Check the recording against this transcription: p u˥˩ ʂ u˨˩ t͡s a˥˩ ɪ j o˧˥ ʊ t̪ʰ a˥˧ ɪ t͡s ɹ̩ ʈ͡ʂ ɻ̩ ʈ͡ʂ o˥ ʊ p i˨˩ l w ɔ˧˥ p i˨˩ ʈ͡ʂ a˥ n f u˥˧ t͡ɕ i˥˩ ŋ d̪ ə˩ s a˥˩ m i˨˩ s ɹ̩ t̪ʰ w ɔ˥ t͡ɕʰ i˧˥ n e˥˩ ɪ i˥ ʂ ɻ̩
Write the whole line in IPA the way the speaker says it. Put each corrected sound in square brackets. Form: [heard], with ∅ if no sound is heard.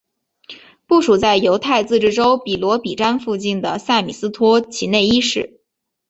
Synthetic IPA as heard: p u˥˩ ʂ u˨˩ t͡s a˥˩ ɪ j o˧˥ ʊ t̪ʰ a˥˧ ɪ t͡s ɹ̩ ʈ͡ʂ ɻ̩ ʈ͡ʂ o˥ ʊ p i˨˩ l w ɔ˧˥ p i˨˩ ʈ͡ʂ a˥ n f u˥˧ t͡ɕ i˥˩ [n] d̪ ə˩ s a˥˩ m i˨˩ s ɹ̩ t̪ʰ w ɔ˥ t͡ɕʰ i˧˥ n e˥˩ ɪ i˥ ʂ ɻ̩